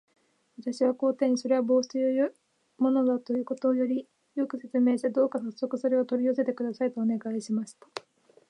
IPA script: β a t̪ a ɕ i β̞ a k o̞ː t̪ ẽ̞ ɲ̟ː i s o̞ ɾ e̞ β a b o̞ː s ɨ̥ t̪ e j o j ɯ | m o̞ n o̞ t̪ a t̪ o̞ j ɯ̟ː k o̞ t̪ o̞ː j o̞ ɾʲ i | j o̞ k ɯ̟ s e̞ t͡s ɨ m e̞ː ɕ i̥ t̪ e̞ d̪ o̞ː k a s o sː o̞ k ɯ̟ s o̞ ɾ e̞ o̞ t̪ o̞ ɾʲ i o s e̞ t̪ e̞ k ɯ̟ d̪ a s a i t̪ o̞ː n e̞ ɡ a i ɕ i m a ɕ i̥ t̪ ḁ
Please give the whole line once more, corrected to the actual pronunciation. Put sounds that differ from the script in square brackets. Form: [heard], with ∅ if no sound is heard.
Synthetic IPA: β a t̪ a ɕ i β̞ a k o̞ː t̪ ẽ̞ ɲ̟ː i s o̞ ɾ e̞ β a b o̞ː s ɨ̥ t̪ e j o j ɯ | m o̞ n o̞ [d̪] a t̪ o̞ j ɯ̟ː k o̞ t̪ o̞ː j o̞ ɾʲ i | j o̞ k ɯ̟ s e̞ t͡s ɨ m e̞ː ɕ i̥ t̪ e̞ d̪ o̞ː k a s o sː o̞ k ɯ̟ s o̞ ɾ e̞ o̞ t̪ o̞ ɾʲ i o s e̞ t̪ e̞ k ɯ̟ d̪ a s a i t̪ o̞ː n e̞ ɡ a i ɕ i m a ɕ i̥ t̪ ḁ